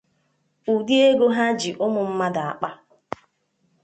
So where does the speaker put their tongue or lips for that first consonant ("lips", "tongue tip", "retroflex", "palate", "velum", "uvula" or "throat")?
tongue tip